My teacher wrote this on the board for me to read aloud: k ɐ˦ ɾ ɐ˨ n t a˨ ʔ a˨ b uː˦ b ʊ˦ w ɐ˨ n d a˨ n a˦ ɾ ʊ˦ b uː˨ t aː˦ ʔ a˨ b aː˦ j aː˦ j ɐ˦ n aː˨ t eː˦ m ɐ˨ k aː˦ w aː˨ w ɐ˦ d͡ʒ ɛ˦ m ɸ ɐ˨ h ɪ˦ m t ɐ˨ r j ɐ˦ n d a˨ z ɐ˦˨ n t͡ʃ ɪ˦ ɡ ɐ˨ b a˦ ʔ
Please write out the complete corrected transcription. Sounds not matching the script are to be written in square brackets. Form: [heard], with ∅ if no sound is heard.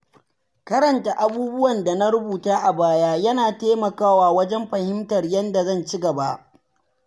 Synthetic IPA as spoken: k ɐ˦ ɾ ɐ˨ n t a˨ ʔ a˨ b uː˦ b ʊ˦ w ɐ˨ n d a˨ n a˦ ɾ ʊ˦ b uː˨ t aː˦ ʔ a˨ b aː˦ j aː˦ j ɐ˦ n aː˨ t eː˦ m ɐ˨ k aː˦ w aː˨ w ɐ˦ d͡ʒ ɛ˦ m ɸ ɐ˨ h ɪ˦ m t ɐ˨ r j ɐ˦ n d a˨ z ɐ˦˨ n t͡ʃ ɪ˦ ɡ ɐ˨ b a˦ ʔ